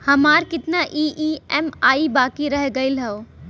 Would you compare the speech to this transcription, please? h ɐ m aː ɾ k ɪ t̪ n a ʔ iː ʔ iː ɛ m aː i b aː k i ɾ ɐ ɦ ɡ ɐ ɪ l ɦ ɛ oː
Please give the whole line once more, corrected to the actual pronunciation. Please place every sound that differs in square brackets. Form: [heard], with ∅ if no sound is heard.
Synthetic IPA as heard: h ɐ m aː ɾ k ɪ t̪ n a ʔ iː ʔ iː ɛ m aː i b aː k i ɾ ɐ ɦ ɡ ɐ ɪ l ɦ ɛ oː